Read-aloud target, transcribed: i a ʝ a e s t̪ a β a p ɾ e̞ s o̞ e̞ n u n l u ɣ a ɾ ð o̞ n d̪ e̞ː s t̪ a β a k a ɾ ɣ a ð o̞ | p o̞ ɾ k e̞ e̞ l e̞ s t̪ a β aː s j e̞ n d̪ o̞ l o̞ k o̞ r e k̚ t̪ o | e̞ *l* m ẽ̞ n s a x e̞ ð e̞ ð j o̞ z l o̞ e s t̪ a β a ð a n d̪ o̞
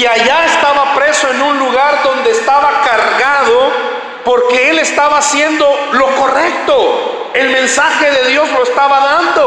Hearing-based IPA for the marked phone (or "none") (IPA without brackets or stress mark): l